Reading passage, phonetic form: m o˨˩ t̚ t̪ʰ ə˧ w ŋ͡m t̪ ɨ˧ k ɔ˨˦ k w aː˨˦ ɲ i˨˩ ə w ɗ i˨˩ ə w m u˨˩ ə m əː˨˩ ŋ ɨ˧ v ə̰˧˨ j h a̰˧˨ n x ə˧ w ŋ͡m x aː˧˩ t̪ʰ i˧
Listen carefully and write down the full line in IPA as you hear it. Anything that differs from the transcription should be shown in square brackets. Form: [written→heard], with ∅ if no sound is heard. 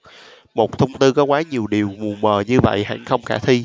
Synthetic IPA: m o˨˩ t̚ t̪ʰ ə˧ w ŋ͡m t̪ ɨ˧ k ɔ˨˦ k w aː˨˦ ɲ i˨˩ ə w ɗ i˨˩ ə w m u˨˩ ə m əː˨˩ [ŋ→ɲ] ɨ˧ v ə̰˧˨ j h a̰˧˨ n x ə˧ w ŋ͡m x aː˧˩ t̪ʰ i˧